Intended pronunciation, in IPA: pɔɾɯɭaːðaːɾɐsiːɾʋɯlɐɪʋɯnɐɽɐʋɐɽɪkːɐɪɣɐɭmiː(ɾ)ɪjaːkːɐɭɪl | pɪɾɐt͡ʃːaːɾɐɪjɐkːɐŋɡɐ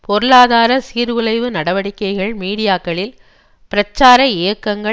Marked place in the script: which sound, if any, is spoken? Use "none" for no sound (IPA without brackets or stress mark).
ɽ